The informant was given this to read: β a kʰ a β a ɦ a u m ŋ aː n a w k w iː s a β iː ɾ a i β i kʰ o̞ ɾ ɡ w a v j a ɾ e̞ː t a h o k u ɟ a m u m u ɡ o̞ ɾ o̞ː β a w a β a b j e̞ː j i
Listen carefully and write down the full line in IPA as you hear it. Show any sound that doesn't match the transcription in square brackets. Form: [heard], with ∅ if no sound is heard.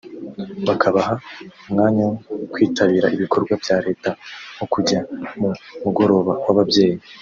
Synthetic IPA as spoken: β a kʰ a β a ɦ a u m ŋ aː [ɲ] a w k w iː [t] a β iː ɾ a i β i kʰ o̞ ɾ ɡ w a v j a ɾ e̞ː t a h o k u ɟ a m u m u ɡ o̞ ɾ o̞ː β a w a β a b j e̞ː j i